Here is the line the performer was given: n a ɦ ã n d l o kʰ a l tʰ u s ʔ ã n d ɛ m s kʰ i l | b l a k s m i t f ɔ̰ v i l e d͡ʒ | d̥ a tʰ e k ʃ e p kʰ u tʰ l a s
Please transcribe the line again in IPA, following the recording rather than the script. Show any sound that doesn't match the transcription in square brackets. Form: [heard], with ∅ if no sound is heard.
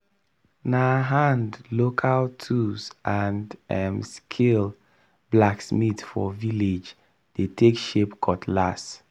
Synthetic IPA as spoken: n a ɦ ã n d l o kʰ a l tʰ u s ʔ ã n d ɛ m s kʰ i l | b l a k s m i t f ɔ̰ v i l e d͡ʒ | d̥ [e] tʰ e k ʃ e p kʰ [ɔ] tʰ l a s

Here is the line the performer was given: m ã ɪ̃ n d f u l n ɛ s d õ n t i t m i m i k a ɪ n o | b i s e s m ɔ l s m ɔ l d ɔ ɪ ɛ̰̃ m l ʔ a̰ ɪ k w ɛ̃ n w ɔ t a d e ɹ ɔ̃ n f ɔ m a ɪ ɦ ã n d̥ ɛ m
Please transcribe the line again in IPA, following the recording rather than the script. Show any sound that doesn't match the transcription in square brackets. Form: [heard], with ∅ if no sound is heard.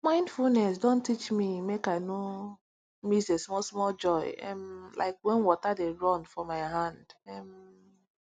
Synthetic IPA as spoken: m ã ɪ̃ n d f u l n ɛ s d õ n t i [t͡ʃ] m i m [e] k a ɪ n o | [m] i s e s m ɔ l s m ɔ l [d͡ʒ] ɔ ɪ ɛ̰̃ m l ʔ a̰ ɪ k w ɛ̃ n w ɔ t a d e ɹ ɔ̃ n f ɔ m a ɪ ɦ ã n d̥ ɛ m

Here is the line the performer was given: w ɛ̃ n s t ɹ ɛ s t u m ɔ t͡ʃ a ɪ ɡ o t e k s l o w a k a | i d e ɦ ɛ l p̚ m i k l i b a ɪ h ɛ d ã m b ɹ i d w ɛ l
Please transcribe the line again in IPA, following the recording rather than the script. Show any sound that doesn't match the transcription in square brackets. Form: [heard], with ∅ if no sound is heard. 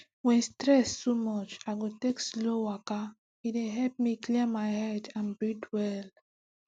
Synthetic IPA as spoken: w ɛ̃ n s t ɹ ɛ s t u m ɔ t͡ʃ a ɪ ɡ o t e k s l o w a k a | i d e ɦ ɛ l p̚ m i k l i [m] a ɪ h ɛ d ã [n] b ɹ i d w ɛ l

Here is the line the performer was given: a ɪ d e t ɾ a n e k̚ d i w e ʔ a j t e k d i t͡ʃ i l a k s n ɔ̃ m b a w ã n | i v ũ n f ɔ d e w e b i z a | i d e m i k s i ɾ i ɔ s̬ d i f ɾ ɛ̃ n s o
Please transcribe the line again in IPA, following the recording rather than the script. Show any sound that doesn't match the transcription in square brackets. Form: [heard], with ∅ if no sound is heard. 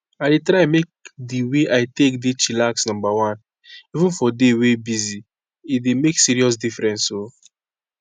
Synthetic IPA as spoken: a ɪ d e t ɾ a [m] e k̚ d i w e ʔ a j t e k d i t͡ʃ i l a k s n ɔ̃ m b a w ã n | i v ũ n f ɔ d e w e b i z [i] | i d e m [e] k s i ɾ i ɔ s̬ d i f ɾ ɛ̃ n s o

